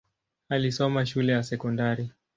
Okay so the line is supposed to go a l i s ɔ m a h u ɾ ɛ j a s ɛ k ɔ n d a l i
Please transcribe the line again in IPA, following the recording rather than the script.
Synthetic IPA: a l i s ɔ m a ʃ u l ɛ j a s ɛ k ɔ n d a ɾ i